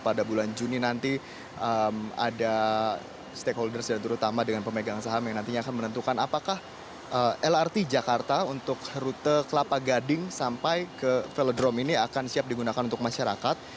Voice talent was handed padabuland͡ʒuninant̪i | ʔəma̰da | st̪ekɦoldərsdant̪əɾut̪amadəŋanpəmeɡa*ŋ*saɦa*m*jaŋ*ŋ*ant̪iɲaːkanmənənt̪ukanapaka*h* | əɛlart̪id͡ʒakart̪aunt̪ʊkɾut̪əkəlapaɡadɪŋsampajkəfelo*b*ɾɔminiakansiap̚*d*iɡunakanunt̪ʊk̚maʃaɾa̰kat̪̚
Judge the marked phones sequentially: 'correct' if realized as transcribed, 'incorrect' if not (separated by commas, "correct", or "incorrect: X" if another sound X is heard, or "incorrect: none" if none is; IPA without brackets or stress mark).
correct, correct, incorrect: n, correct, incorrect: d, correct